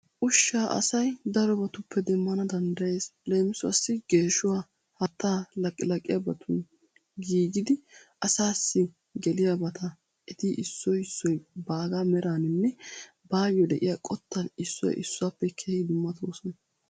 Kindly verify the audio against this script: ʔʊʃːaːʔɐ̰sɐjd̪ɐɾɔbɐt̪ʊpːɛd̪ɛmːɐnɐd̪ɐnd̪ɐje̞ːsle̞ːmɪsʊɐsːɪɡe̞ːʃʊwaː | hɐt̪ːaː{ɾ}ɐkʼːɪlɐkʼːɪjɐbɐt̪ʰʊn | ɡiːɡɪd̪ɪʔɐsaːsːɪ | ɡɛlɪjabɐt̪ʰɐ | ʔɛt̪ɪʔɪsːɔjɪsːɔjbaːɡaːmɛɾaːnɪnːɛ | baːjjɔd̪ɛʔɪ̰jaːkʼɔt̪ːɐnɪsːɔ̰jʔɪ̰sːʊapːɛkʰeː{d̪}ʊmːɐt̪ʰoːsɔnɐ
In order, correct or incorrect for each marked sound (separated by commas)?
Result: incorrect, correct